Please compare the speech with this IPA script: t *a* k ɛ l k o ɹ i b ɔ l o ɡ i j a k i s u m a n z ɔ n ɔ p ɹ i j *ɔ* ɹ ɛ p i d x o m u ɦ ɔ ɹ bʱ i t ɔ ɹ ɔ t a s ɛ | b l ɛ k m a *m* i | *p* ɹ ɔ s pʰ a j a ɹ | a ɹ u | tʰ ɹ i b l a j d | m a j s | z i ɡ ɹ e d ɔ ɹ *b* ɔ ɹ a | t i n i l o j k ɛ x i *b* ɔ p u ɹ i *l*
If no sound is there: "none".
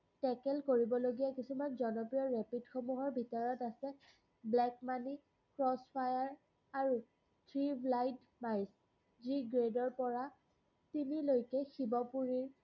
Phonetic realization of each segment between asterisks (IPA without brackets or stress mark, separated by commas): ɛ, ɔ, n, k, p, b, ɹ